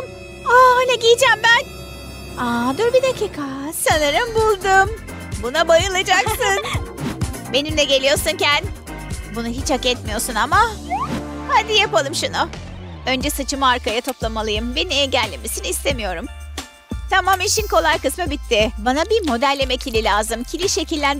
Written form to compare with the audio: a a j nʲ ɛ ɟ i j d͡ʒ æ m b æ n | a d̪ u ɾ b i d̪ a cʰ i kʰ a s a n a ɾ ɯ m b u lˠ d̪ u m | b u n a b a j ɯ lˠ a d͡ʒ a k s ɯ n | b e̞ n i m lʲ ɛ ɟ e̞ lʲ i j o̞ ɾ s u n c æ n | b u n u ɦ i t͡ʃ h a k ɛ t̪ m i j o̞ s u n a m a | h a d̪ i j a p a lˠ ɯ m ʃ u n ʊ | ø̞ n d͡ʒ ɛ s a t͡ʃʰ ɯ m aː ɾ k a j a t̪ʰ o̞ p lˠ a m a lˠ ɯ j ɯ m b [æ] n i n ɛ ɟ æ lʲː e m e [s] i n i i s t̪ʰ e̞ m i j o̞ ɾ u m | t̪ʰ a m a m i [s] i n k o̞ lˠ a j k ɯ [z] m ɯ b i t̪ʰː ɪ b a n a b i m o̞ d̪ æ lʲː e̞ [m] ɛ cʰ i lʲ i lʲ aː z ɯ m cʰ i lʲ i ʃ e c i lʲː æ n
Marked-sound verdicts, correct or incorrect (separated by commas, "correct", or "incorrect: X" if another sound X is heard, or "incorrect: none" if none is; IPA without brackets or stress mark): incorrect: e, correct, incorrect: ʃ, incorrect: s, correct